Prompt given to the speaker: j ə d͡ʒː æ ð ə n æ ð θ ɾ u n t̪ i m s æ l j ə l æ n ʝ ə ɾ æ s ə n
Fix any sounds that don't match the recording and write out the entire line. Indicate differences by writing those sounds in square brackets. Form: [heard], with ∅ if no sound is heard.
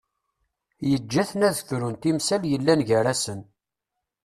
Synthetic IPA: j ə d͡ʒː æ [θ] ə n æ ð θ ɾ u n t̪ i m s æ l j ə [lː] æ n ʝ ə ɾ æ s ə n

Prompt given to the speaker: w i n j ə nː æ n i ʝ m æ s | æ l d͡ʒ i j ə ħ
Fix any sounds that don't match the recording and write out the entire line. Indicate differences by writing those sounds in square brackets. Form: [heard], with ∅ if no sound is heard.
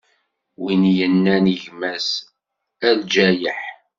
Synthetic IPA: w i n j ə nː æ n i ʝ m æ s | æ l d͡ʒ [æ] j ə ħ

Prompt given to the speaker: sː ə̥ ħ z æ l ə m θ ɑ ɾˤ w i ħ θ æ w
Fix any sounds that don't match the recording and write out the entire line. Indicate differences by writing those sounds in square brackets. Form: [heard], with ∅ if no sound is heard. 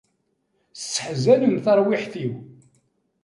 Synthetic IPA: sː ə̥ ħ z æ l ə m θ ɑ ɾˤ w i ħ θ [i] w

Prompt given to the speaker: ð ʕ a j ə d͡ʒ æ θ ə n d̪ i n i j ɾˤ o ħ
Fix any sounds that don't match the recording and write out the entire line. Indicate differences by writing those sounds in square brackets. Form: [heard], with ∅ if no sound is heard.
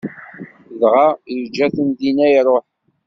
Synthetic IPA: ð [ʁ] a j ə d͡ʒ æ θ ə n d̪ i n [æ] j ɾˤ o ħ

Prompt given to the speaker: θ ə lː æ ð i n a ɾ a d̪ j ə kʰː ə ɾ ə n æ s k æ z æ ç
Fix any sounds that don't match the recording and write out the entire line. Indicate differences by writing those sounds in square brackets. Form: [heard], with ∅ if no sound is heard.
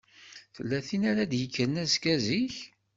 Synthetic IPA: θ ə lː æ [θ] i n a ɾ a d̪ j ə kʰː ə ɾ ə n æ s k æ z [i] ç

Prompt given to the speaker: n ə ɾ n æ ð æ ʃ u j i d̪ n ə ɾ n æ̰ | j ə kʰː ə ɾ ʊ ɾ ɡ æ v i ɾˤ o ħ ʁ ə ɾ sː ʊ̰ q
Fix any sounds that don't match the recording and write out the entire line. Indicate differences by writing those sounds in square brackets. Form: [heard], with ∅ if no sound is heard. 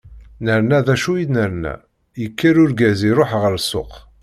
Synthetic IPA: n ə ɾ n æ ð æ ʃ u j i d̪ n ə ɾ n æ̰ | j ə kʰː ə ɾ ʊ ɾ ɡ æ [z] i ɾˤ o ħ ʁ ə ɾ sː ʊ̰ q

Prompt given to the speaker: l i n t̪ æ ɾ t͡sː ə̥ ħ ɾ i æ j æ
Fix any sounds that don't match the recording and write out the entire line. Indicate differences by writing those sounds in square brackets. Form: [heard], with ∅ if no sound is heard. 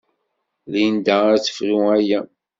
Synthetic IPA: l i n [d̪] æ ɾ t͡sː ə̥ [f] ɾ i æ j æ

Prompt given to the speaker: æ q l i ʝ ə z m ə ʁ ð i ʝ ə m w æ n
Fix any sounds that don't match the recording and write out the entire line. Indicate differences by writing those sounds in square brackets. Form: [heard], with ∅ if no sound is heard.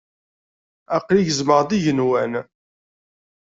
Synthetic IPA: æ q l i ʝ ə z m ə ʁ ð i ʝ ə [n] w æ n

